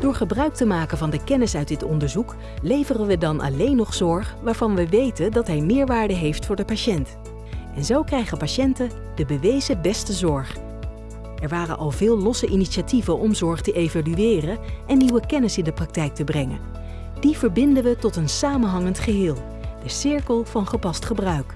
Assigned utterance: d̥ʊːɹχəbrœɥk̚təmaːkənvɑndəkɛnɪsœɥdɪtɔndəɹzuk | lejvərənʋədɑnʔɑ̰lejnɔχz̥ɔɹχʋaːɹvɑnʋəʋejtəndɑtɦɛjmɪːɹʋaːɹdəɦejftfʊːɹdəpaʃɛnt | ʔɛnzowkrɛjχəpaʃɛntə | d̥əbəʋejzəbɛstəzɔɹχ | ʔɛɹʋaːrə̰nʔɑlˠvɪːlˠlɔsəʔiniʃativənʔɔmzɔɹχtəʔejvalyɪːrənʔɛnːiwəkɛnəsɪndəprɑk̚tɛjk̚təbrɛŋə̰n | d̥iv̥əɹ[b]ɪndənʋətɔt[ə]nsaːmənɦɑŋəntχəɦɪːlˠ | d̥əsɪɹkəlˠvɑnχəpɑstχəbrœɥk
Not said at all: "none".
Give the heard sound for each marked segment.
b, ə

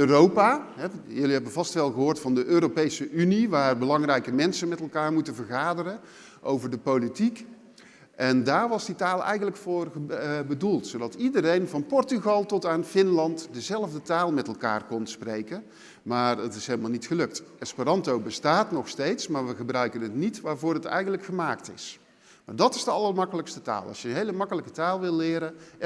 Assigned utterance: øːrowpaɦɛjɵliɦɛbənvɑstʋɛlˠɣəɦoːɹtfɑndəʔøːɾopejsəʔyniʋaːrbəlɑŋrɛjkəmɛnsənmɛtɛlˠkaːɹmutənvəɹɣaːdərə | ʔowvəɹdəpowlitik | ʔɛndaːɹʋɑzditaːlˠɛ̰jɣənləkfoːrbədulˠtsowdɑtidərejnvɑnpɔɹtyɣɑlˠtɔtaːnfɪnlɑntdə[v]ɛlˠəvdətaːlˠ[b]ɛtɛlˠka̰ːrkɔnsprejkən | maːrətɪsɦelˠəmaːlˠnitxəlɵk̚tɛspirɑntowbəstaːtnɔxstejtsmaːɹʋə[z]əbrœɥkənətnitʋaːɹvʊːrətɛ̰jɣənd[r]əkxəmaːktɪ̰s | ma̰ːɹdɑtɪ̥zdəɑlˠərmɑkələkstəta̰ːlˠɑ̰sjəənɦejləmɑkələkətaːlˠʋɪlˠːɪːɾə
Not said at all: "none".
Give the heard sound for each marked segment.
z, m, ɣ, l

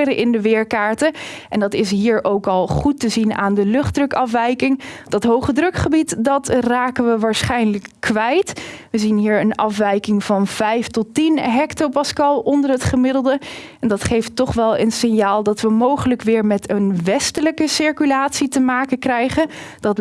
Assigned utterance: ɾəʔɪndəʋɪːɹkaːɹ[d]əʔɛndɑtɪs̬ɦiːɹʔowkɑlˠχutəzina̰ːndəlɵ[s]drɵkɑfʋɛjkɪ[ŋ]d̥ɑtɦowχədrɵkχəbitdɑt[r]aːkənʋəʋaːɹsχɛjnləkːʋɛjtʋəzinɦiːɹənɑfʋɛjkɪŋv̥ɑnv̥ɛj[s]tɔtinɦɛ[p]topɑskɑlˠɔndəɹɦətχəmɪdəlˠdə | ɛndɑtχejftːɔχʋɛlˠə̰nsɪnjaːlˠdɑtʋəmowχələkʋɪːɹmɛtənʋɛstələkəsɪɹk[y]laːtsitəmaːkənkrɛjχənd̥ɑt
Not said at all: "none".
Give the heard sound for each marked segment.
t, χ, ŋ, r, f, k, y

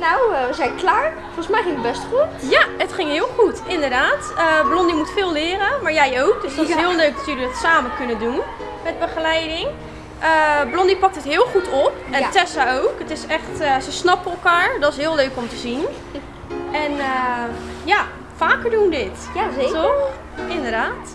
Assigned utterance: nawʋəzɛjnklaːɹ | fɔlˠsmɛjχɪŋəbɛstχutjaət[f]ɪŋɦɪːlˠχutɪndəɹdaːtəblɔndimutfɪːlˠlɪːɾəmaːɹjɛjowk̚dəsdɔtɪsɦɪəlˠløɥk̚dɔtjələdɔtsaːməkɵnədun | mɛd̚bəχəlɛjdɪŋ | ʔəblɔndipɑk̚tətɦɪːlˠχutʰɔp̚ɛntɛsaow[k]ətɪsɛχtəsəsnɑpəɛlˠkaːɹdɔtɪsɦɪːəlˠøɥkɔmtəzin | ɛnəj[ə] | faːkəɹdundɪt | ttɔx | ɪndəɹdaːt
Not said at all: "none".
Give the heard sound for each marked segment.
χ, k, a

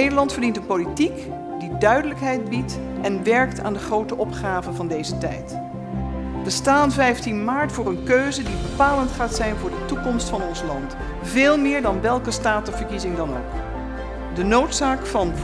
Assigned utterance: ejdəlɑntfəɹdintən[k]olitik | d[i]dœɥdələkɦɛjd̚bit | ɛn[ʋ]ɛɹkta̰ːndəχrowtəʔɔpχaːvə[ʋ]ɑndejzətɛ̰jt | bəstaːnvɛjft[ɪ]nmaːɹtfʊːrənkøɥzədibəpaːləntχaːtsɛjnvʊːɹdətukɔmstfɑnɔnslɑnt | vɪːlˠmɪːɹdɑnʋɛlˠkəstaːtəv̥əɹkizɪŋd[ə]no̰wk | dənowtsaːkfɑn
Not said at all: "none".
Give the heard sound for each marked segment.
p, i, ʋ, v, i, ɑ

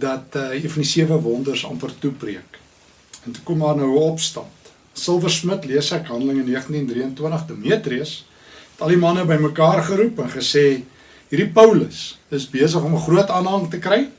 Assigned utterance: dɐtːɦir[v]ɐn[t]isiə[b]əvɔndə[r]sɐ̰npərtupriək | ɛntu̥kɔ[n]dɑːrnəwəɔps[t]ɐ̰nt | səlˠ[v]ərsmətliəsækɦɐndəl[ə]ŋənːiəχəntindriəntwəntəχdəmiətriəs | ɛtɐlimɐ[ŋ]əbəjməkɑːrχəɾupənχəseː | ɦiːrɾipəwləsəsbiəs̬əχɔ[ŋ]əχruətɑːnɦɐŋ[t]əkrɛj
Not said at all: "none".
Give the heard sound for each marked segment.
f, d, v, r, m, t, v, ə, n, m, t

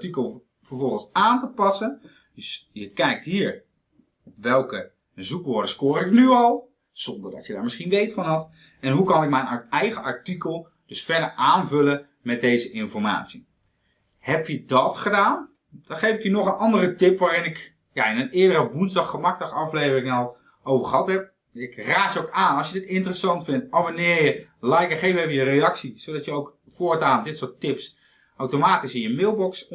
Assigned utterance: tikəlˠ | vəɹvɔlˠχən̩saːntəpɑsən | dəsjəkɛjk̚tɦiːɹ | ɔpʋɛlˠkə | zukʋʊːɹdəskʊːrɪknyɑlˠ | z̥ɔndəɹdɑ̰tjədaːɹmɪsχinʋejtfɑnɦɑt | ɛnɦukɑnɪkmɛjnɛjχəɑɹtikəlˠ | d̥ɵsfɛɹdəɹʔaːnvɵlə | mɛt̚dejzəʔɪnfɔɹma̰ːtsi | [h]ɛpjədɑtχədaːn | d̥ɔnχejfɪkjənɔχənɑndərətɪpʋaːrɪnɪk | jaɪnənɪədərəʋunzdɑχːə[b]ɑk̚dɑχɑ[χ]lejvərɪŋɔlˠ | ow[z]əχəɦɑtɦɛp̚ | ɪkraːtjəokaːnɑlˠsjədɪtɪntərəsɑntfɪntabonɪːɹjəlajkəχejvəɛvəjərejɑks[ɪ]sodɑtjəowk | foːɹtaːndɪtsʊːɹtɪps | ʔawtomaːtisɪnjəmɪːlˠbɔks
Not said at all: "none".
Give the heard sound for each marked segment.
h, m, f, v, i

